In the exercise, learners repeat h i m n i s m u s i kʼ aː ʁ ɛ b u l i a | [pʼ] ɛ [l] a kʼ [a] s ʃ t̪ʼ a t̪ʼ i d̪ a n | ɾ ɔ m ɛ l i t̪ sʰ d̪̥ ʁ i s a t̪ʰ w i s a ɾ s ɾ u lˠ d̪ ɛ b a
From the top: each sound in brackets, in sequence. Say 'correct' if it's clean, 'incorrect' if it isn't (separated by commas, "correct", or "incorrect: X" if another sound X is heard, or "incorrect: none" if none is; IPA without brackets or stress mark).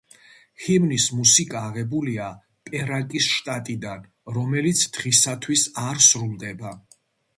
correct, incorrect: ɾ, incorrect: i